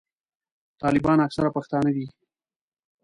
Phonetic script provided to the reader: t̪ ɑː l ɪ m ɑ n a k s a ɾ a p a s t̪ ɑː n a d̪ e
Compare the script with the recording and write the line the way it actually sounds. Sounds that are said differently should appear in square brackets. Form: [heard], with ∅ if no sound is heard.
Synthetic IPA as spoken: t̪ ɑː l ɪ [b] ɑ n a k s a ɾ a p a [x] t̪ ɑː n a d̪ [i]